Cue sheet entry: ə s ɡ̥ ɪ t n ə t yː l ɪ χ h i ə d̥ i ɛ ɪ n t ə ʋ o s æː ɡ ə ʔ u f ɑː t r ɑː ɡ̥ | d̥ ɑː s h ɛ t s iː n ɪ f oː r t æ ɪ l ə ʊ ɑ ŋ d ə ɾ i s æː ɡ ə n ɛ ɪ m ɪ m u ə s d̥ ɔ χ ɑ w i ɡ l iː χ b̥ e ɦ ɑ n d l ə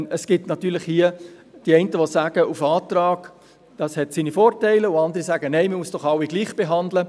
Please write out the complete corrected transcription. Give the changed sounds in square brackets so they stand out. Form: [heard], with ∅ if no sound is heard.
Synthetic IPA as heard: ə s ɡ̥ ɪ t n [ɑ] t yː l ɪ χ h i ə d̥ i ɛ ɪ n t ə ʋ o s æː ɡ ə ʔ u f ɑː t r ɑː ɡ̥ | d̥ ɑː s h ɛ t s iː n [i] f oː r t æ ɪ l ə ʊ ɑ [n] d ə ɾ i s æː ɡ ə n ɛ ɪ m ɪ m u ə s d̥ ɔ χ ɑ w i ɡ l iː χ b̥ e ɦ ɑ n d l ə

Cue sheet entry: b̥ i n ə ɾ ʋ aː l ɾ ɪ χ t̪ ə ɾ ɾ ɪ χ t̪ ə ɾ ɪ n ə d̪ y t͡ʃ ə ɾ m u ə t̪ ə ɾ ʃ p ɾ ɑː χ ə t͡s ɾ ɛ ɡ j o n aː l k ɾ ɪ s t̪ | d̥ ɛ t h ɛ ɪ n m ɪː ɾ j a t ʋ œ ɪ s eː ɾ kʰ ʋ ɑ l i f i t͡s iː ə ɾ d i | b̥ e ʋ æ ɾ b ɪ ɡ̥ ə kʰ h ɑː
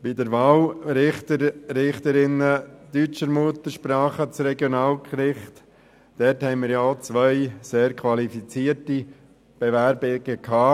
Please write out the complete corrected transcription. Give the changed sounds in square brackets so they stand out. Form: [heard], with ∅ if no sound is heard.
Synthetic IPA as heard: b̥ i [d] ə ɾ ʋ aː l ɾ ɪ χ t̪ ə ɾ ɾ ɪ χ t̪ ə ɾ ɪ n ə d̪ y t͡ʃ ə ɾ m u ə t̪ ə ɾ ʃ p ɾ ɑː χ ə t͡s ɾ ɛ ɡ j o n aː l k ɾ ɪ [χ] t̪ | d̥ ɛ t h ɛ ɪ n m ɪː ɾ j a [t͡s] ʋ œ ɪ s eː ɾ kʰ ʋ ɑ l i f i t͡s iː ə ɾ [t] i | b̥ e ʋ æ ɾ b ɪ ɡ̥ ə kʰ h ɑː

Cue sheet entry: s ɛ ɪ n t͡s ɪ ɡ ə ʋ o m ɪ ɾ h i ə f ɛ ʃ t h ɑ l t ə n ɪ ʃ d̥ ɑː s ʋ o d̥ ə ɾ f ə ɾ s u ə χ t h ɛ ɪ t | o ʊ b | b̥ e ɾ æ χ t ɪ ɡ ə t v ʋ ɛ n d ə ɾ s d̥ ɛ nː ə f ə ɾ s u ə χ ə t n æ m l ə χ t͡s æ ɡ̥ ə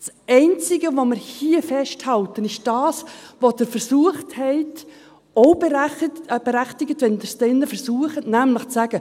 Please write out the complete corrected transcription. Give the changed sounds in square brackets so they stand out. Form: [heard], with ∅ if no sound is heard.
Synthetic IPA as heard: s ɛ ɪ n t͡s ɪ ɡ ə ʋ o m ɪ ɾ h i ə f ɛ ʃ t h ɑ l t ə n ɪ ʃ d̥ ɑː s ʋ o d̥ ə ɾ f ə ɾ s u ə χ t h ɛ ɪ t | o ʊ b | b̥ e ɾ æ χ t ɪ ɡ ə t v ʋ ɛ n d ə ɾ s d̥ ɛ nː ə f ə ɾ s u ə χ ə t n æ m l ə χ t͡s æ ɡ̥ ə

